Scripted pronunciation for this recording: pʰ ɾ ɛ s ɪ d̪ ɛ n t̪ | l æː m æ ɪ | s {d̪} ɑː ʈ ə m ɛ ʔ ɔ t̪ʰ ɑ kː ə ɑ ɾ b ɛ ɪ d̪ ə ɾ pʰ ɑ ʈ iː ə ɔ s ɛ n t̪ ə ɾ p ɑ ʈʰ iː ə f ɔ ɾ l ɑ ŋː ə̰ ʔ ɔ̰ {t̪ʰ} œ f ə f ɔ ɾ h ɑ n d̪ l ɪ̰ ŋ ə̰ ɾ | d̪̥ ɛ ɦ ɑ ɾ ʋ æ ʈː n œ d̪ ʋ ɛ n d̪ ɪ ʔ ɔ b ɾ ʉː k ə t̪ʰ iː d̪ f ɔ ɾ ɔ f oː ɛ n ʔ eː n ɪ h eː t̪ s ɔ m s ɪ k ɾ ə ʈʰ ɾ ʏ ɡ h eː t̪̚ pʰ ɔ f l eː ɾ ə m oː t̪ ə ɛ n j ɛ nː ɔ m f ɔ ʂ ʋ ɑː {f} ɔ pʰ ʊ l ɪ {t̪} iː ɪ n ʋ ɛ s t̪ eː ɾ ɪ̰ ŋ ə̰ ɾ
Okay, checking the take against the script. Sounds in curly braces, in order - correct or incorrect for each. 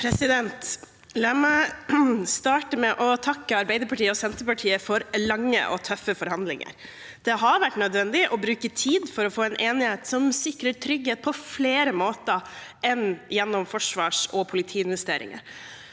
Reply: incorrect, correct, incorrect, incorrect

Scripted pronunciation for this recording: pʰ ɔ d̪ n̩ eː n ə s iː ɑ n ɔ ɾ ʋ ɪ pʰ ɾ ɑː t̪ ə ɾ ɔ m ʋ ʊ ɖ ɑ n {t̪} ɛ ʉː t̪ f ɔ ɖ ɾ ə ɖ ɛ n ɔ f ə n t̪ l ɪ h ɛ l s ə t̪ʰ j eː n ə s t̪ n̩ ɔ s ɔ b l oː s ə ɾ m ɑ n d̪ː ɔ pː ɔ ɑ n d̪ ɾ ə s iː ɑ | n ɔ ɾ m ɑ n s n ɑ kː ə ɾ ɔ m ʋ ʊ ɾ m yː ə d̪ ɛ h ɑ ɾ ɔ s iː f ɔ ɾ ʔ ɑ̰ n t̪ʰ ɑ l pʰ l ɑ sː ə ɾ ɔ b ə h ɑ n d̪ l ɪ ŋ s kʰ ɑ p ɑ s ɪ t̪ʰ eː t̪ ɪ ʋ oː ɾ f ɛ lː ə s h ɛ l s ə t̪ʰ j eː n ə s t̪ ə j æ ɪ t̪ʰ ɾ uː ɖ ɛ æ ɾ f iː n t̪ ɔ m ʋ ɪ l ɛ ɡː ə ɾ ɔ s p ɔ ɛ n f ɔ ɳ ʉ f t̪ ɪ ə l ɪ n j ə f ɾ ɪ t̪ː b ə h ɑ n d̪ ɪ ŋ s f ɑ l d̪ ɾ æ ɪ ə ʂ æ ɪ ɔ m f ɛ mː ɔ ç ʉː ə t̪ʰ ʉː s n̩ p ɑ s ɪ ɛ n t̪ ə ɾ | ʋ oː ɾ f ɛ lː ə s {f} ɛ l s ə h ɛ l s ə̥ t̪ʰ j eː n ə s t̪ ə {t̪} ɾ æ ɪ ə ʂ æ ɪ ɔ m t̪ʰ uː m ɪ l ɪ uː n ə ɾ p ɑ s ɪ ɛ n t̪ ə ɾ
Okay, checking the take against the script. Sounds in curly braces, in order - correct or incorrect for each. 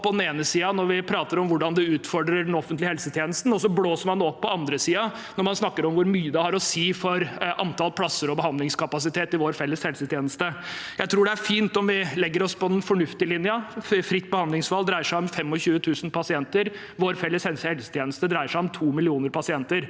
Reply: incorrect, incorrect, incorrect

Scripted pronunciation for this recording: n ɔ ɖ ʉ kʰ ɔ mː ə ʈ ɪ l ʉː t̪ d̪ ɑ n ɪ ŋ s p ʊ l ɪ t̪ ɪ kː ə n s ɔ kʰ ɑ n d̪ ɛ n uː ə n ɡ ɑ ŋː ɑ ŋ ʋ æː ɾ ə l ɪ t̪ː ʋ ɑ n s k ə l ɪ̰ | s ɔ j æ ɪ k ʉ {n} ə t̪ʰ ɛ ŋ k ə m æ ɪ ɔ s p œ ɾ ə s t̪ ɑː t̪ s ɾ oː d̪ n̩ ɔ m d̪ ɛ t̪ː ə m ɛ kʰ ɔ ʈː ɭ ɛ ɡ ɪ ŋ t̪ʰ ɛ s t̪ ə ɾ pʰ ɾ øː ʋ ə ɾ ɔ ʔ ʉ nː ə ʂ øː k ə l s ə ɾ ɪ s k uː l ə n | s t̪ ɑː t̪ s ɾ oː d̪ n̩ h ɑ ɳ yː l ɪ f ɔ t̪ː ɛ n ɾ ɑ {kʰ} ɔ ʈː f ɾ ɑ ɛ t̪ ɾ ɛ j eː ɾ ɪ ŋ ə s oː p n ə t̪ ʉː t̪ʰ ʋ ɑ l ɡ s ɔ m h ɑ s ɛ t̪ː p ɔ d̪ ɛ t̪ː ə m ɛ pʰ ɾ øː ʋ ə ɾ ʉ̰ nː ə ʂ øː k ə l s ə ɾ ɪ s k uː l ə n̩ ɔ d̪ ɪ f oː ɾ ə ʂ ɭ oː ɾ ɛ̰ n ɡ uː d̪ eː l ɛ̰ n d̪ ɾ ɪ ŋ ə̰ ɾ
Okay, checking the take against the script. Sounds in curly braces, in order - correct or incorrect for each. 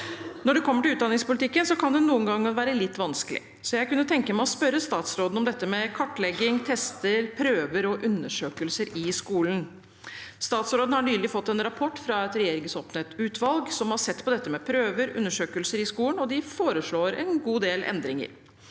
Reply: incorrect, incorrect

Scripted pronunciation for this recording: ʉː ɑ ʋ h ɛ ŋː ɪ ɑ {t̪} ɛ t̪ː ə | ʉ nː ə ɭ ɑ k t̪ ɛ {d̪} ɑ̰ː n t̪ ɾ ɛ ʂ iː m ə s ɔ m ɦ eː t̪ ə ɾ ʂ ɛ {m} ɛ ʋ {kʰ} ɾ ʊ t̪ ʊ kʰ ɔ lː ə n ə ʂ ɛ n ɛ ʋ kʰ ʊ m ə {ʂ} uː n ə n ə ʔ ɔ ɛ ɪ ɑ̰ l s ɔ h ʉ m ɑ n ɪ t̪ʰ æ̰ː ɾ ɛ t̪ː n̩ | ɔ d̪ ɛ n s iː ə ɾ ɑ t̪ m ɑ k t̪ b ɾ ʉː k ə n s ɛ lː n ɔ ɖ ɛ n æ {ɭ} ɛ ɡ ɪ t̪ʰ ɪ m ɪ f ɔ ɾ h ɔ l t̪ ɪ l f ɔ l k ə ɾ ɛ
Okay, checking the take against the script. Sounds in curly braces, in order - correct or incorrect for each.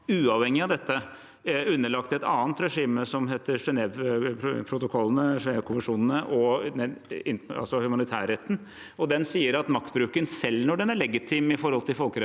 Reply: incorrect, incorrect, incorrect, incorrect, correct, correct

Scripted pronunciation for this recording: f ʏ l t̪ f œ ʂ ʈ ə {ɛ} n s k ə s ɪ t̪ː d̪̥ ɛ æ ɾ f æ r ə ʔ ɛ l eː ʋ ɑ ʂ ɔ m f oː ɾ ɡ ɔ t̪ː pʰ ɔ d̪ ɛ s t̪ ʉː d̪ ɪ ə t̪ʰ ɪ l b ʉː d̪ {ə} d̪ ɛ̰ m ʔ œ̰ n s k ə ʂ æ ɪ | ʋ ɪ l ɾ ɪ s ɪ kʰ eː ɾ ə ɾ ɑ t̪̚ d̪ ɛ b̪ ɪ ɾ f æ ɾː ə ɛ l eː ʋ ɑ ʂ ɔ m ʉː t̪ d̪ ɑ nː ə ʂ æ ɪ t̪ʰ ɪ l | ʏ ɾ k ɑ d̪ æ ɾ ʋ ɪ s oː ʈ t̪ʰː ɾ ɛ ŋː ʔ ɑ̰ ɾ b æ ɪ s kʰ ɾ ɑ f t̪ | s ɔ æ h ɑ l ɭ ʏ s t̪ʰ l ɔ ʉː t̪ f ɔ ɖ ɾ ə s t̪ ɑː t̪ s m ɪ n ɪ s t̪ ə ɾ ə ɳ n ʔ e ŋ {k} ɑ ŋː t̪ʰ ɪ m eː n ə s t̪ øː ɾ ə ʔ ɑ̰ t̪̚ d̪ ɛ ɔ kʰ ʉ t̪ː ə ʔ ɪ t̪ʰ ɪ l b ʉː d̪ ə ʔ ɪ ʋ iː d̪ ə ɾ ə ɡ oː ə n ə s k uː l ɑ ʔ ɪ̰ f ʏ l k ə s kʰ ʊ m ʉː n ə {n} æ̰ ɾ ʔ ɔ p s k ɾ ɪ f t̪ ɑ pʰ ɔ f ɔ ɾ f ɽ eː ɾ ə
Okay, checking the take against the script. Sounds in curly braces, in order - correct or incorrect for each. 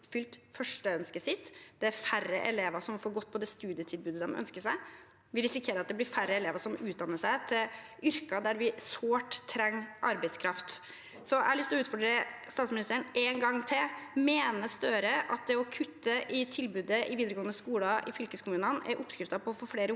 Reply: incorrect, correct, incorrect, correct

